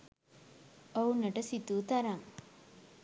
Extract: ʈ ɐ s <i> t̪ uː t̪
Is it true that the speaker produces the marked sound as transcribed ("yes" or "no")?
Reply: yes